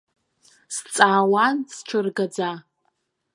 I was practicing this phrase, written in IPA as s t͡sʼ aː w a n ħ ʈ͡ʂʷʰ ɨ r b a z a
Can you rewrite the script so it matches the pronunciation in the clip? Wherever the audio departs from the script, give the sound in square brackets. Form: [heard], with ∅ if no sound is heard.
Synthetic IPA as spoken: s t͡sʼ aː w a n [s] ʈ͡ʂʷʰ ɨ r [ɡ] a [d͡z] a